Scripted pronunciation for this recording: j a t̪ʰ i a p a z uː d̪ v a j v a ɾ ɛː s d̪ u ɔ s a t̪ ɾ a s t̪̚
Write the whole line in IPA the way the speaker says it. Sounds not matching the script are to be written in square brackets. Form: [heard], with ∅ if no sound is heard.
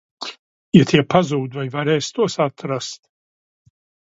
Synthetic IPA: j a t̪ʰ i [ɛ] p a z uː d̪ v a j v a ɾ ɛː s [t̪] u ɔ s a t̪ ɾ a s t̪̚

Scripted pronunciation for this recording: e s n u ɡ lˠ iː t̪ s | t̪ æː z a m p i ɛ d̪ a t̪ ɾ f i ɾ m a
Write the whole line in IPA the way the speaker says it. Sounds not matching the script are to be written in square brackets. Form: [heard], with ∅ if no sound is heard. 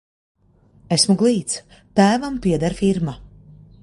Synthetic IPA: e s [m] u ɡ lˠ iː t̪ s | t̪ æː [v] a m p i ɛ d̪ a [∅] ɾ f i ɾ m a

